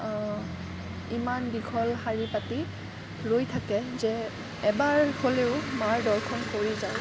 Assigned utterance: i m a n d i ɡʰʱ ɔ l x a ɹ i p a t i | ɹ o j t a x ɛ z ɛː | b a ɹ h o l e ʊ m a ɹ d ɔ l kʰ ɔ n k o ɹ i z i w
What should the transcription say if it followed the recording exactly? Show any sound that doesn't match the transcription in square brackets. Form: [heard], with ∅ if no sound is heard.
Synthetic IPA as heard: i m a n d i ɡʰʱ ɔ l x a ɹ i p a t i | ɹ o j [tʰ] a [k] ɛ z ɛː | b a ɹ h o l e ʊ m a ɹ d ɔ l kʰ ɔ n k o ɹ i z [a] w